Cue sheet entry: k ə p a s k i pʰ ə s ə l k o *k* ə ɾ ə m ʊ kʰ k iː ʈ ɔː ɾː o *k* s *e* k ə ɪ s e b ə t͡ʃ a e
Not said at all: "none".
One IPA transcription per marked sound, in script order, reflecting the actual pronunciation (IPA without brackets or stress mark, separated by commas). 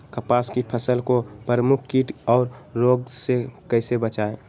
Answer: p, ɡ, e